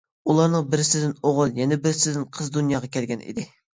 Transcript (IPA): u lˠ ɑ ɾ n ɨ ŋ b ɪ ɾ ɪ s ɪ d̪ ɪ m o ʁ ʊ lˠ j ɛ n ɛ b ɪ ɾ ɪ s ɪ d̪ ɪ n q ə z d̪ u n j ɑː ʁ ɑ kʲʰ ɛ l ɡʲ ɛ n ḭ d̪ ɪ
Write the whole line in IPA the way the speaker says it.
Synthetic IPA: u lˠ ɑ ɾ n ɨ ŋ b ɪ ɾ ɪ s ɪ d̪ ɪ n o ʁ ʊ lˠ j ɛ n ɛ b ɪ ɾ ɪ s ɪ d̪ ɪ n qʰ ə z d̪ u n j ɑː ʁ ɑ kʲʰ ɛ l ɡʲ ɛ n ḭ d̪ ɪ